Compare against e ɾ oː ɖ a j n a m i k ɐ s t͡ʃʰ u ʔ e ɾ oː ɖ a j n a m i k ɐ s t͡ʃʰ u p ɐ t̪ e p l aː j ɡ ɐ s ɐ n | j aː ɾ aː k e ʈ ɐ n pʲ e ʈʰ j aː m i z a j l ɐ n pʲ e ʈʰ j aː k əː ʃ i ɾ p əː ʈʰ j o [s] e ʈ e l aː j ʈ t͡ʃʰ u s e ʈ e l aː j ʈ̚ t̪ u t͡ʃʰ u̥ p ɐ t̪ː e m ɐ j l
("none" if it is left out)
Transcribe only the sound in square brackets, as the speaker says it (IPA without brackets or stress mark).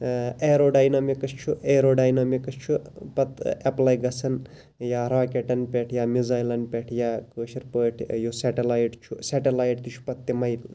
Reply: s